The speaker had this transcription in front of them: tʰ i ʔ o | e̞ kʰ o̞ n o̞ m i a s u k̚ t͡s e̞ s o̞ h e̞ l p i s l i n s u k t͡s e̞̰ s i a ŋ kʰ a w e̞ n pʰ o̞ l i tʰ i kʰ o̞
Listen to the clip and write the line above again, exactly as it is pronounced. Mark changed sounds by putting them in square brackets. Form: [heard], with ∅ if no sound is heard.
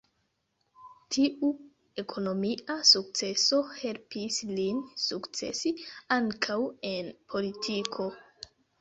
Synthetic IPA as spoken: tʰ i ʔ [u] | e̞ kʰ o̞ n o̞ m i a s u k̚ t͡s e̞ s o̞ h e̞ l p i s l i n s u k t͡s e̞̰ s i a ŋ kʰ a w e̞ n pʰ o̞ l i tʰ i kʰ o̞